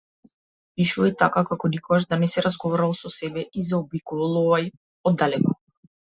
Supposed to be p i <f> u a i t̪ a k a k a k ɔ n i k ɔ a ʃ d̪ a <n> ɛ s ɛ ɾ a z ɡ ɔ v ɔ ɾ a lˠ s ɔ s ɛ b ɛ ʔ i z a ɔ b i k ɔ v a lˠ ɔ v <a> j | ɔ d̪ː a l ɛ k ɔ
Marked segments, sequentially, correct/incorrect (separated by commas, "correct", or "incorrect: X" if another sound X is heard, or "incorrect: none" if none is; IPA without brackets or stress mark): incorrect: ʃ, correct, correct